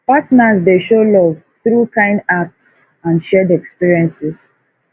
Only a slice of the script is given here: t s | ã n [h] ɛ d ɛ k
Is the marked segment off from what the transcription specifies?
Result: yes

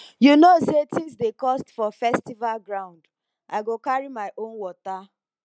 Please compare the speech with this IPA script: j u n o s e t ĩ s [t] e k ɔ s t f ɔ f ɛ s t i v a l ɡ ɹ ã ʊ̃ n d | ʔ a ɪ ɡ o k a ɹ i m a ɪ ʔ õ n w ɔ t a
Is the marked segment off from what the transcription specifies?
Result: yes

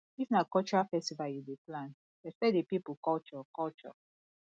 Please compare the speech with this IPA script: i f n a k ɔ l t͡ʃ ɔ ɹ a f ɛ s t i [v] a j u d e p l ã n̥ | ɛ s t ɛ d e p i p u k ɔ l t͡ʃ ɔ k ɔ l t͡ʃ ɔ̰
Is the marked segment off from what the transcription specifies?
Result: no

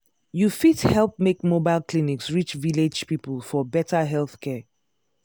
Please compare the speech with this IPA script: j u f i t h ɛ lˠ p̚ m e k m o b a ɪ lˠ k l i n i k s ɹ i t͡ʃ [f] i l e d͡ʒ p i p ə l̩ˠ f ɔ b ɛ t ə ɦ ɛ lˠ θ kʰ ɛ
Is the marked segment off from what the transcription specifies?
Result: yes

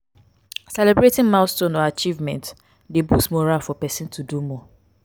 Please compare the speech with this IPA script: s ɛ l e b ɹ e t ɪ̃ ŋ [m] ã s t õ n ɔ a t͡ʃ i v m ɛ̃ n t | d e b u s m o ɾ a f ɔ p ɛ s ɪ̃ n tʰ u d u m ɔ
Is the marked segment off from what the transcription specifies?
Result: no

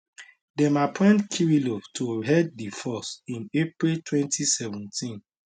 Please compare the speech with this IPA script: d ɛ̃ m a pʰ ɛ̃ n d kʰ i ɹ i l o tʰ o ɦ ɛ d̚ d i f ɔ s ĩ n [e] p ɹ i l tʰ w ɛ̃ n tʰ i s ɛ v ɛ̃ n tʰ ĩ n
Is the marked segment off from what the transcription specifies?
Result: no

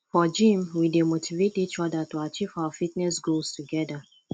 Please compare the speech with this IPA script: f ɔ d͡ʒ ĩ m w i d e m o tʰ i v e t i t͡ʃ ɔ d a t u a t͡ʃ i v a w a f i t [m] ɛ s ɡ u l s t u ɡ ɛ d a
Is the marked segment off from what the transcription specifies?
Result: yes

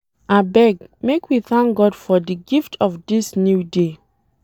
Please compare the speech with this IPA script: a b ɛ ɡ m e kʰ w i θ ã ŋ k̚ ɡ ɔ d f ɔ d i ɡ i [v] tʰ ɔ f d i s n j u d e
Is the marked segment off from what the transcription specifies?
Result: yes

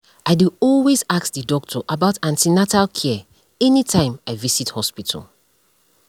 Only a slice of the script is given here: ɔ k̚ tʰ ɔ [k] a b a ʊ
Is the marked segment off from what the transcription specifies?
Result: yes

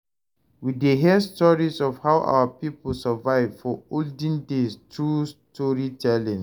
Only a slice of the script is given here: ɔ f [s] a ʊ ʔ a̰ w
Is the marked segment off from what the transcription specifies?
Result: yes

